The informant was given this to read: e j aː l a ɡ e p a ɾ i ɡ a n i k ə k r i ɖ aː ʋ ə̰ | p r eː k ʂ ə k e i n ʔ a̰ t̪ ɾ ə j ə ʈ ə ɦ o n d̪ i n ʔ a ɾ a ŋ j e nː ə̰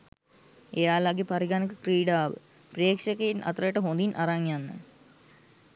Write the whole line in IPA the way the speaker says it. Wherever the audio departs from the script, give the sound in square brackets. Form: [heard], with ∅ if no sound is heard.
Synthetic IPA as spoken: e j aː l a ɡ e p a ɾ i ɡ a n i k ə k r [iː] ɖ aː ʋ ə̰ | p r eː k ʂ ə k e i n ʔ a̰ t̪ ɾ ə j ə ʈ ə ɦ o n d̪ i n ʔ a ɾ a ŋ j [a] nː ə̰